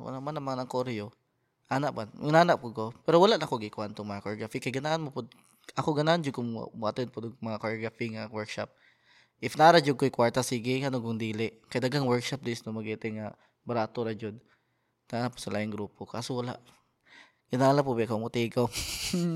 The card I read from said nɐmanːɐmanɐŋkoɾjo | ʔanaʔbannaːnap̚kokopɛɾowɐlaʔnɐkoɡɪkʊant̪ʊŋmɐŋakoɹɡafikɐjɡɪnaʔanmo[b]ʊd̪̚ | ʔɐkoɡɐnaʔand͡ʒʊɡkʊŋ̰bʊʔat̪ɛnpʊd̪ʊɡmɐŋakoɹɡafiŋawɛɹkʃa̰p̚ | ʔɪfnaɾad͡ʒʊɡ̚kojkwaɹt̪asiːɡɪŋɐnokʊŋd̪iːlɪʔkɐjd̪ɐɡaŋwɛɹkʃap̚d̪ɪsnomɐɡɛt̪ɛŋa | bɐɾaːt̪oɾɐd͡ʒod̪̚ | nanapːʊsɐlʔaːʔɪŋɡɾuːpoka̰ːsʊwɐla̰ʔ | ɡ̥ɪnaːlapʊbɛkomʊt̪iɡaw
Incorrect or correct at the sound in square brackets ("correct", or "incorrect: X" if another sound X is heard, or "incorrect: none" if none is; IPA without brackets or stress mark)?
incorrect: p